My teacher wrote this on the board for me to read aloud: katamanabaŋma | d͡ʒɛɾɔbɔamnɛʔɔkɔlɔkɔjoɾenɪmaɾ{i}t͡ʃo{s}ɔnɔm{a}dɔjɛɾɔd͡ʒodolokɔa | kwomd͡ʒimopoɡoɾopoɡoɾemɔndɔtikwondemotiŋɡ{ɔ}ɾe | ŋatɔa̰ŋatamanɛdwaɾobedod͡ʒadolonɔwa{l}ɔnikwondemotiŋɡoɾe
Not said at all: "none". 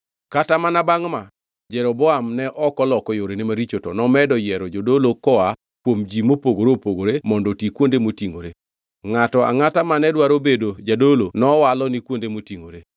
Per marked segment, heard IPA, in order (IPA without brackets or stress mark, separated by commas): i, t, ɛ, o, l